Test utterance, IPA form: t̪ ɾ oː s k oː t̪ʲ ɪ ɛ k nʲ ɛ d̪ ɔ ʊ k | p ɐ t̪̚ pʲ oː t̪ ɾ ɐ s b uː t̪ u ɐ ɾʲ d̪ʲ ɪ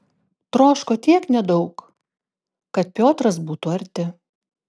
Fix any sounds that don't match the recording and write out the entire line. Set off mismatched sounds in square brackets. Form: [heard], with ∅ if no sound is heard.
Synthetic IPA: t̪ ɾ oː [ʃ] k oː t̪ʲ [i] ɛ k nʲ ɛ d̪ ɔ ʊ k | [k] ɐ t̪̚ pʲ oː t̪ ɾ ɐ s b uː t̪ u ɐ ɾʲ [t̪ʲ] ɪ